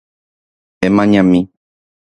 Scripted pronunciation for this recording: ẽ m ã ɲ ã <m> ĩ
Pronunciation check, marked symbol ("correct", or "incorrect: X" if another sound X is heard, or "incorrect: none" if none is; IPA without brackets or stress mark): correct